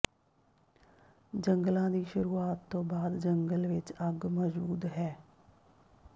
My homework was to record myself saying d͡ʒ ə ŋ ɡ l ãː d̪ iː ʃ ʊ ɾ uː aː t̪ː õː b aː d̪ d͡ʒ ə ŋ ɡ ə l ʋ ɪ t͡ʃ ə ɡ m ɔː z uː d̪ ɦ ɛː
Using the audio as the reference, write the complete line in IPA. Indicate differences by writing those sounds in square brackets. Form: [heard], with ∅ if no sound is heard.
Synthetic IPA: d͡ʒ ə ŋ ɡ l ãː d̪ iː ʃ ʊ ɾ uː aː t̪ː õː b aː d̪ d͡ʒ ə ŋ ɡ ə l ʋ ɪ t͡ʃ ə ɡ m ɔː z uː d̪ ɦ ɛː